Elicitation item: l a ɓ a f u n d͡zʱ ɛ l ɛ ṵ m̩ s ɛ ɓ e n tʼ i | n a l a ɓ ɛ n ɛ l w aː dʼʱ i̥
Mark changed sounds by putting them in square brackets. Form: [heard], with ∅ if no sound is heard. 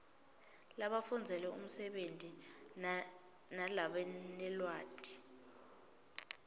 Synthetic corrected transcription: l a ɓ a f u n d͡zʱ ɛ l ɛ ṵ m̩ s ɛ ɓ e n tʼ i | n a l a ɓ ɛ n ɛ l w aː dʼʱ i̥